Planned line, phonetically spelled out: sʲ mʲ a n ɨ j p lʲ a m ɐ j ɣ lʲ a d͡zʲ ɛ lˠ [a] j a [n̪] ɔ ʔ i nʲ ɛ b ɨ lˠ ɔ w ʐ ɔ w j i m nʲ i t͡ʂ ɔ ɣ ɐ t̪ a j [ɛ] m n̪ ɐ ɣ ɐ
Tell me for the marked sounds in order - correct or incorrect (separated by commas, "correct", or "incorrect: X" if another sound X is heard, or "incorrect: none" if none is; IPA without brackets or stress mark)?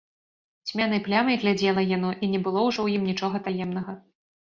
incorrect: ɐ, correct, correct